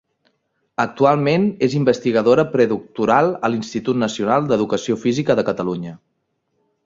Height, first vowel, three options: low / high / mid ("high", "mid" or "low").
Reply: mid